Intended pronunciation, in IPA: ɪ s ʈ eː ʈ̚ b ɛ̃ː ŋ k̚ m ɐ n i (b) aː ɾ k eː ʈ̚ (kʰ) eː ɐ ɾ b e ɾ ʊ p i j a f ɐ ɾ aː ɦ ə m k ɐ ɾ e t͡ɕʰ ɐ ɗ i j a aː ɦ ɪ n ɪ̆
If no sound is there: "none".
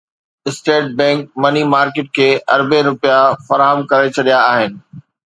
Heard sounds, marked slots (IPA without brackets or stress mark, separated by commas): m, kʰ